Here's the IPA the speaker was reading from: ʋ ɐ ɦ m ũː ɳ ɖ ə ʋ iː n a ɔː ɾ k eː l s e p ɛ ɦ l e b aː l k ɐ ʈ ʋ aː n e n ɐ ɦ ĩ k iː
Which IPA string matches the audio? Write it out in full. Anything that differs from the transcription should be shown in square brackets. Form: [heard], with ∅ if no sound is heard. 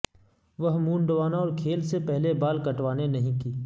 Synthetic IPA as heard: ʋ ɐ ɦ m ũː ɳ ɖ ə ʋ [aː] n a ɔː ɾ [kʰ] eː l s e p ɛ ɦ l e b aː l k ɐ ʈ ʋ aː n e n ɐ ɦ ĩ k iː